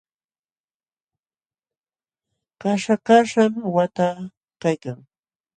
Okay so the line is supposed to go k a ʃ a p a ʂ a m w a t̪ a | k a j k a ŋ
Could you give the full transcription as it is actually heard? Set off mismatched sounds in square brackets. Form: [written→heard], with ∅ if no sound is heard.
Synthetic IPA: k a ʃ a [p→k] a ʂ a m w a t̪ a | k a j k a ŋ